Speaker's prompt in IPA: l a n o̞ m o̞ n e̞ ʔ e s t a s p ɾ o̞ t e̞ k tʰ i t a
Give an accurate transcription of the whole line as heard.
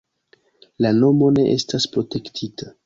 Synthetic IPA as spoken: l a n o̞ m o̞ n e̞ ʔ e s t a s p ɾ o̞ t e̞ k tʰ i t a